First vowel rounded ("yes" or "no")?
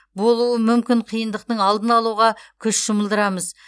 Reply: yes